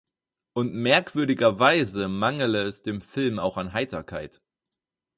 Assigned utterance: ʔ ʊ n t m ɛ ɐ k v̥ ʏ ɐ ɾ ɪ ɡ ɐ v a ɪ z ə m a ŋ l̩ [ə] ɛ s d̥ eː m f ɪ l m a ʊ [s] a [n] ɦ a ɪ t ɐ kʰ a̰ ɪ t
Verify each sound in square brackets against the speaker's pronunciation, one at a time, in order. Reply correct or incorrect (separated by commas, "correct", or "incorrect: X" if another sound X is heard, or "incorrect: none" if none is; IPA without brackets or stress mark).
correct, incorrect: x, correct